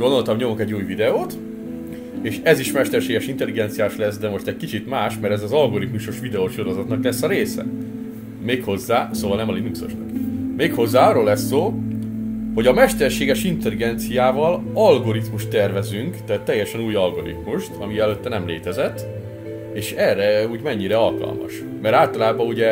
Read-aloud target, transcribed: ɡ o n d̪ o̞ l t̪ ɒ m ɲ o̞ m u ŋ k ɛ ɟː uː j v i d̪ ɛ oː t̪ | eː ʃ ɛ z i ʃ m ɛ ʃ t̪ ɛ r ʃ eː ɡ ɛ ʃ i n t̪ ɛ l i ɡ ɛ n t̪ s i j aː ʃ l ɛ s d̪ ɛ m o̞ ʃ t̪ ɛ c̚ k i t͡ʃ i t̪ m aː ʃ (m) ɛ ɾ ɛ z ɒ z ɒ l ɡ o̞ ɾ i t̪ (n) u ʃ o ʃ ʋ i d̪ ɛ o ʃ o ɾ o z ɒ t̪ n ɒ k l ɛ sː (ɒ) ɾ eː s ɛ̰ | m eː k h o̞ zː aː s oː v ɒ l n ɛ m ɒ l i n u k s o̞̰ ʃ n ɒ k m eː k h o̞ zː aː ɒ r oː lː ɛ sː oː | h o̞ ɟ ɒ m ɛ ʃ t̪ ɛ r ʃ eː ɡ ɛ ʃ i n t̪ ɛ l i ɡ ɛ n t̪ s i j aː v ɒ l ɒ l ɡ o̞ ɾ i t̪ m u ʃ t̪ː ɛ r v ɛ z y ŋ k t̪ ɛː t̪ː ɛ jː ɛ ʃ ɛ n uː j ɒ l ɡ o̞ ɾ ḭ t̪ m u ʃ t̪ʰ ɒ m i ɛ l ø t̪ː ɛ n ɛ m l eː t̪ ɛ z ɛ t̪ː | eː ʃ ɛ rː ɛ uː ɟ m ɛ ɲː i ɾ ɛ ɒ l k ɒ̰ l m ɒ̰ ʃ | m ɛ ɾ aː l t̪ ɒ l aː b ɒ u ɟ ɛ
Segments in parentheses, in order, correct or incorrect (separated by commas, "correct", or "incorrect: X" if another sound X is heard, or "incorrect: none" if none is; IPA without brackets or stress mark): correct, incorrect: m, correct